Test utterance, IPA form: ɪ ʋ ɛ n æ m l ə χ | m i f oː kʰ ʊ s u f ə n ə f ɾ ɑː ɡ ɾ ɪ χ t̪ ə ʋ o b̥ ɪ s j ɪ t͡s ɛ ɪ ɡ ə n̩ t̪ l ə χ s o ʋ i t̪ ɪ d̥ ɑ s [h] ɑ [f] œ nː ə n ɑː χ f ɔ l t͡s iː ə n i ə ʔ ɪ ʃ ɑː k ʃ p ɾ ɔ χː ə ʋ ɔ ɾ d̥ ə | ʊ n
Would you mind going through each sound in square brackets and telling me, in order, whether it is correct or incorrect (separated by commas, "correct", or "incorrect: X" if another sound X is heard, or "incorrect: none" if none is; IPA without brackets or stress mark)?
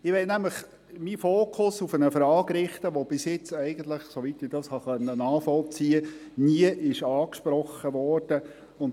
correct, incorrect: χ